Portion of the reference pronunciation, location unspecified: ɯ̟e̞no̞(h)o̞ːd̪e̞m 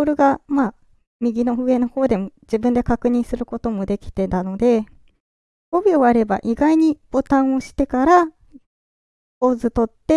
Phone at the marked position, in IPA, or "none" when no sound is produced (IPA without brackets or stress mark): h